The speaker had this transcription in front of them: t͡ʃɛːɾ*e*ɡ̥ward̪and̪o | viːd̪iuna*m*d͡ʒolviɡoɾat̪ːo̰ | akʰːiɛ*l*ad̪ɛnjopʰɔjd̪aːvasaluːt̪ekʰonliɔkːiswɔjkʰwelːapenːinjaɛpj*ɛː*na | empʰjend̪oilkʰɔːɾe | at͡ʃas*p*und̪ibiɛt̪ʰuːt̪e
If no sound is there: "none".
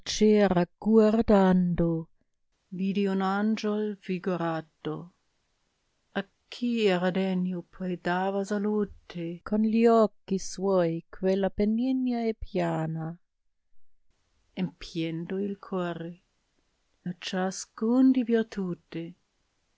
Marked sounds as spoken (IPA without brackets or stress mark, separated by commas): a, n, ɾ, aː, k